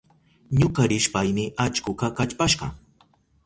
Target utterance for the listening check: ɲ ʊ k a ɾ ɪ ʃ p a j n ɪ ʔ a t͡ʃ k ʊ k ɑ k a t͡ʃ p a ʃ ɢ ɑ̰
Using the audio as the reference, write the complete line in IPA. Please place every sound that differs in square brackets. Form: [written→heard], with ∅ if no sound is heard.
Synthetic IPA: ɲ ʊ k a ɾ ɪ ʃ p a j [n→m] ɪ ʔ a t͡ʃ k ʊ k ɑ k a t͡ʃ p a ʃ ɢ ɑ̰